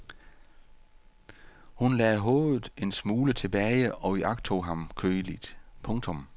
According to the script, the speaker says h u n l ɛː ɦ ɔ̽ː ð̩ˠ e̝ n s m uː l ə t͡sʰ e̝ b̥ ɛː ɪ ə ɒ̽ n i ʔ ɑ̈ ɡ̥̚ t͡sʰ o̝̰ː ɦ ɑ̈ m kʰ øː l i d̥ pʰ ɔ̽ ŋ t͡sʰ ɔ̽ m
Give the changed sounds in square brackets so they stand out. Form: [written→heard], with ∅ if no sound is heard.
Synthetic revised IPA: h u n l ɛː ɦ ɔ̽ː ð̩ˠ e̝ n s m uː l ə t͡sʰ e̝ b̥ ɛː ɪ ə ɒ̽ [n→∅] i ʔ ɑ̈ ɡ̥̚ t͡sʰ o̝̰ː ɦ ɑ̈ m kʰ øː l i d̥ pʰ ɔ̽ ŋ t͡sʰ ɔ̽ m